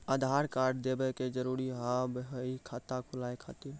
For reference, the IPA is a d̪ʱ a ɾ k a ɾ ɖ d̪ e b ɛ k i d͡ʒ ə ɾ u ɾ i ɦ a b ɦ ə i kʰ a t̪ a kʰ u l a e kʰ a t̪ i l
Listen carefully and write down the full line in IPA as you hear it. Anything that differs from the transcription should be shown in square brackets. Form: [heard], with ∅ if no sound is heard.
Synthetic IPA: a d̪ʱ a ɾ k a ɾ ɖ d̪ e b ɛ k [e] d͡ʒ ə ɾ u ɾ i ɦ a b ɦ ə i kʰ a t̪ a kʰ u l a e kʰ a t̪ i [ɾ]